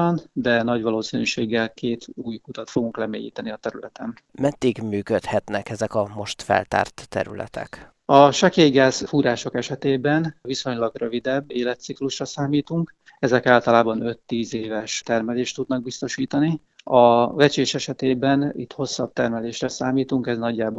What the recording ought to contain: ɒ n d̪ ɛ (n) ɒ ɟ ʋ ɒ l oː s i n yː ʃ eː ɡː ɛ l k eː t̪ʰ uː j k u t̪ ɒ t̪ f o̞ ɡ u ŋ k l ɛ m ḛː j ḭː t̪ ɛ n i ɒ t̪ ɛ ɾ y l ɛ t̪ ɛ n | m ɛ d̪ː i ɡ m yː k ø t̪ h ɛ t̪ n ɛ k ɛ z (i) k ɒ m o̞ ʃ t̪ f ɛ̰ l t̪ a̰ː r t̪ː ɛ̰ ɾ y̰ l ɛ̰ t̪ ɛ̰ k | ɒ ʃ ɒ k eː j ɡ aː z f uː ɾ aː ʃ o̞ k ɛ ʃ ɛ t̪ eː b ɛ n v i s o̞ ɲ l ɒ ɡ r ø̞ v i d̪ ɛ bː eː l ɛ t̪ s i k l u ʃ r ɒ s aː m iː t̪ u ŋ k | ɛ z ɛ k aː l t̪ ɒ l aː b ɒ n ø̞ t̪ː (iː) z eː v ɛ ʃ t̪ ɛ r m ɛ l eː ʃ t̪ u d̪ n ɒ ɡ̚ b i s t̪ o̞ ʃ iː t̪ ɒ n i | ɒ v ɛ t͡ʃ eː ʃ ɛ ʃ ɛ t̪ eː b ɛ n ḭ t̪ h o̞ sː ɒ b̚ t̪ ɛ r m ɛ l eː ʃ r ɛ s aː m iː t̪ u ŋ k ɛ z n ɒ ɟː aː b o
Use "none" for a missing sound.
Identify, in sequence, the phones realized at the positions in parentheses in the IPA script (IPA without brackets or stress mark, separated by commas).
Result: n, ɛ, iː